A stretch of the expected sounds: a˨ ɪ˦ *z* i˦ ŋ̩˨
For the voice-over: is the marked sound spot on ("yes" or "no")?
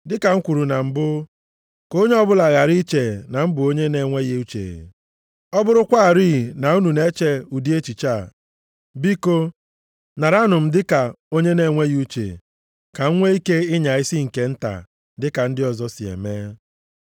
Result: no